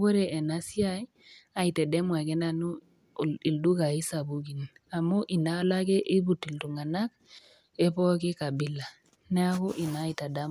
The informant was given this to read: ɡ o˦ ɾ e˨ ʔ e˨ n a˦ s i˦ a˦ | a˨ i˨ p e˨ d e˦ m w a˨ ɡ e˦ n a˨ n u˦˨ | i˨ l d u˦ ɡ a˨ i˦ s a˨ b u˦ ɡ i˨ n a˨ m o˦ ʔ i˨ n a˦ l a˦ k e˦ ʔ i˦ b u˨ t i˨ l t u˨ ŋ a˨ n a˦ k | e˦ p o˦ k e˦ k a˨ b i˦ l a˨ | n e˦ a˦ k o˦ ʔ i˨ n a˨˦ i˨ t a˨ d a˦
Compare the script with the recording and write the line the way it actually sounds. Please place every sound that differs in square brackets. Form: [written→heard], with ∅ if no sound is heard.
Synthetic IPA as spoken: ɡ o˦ ɾ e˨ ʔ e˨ n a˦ s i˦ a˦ | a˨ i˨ [p→t] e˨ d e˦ m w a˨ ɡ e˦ n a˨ n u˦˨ | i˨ l d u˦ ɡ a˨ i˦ s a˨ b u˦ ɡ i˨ n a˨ m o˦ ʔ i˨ n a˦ l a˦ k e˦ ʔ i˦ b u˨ t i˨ l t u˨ ŋ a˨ n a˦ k | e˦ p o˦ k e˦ k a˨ b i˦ l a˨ | n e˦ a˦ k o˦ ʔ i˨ n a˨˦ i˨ t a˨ d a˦